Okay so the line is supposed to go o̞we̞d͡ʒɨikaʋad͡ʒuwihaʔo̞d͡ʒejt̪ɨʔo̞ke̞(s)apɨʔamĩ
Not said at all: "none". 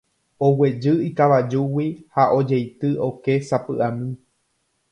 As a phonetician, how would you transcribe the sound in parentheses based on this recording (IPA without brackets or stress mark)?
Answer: s